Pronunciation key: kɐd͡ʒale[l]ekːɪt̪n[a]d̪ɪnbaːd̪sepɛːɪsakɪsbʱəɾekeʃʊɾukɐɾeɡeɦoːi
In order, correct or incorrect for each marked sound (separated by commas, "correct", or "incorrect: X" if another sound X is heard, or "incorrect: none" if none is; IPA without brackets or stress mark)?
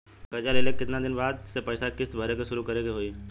correct, correct